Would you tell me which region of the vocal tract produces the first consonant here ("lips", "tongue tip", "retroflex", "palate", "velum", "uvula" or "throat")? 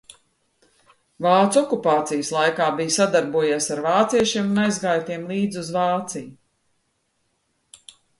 lips